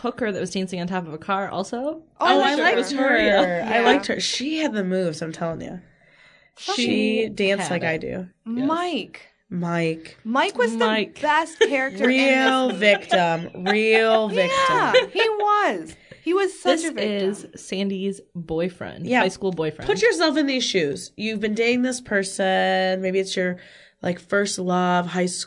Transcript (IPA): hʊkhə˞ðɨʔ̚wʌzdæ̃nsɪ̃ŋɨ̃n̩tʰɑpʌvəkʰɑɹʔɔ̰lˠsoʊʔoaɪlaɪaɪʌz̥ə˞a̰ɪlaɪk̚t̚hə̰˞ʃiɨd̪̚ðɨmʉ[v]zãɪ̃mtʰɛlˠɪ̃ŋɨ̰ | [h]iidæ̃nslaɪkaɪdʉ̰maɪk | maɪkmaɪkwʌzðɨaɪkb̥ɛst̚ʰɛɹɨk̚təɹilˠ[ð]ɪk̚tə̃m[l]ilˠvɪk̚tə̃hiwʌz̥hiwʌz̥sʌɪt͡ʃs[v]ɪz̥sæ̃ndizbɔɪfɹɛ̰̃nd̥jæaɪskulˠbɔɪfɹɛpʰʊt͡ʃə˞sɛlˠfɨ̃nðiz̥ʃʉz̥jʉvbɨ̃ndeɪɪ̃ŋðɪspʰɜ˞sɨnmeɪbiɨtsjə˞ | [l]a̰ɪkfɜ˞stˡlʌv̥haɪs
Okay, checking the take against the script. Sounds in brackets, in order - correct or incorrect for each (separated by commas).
correct, incorrect, incorrect, incorrect, correct, correct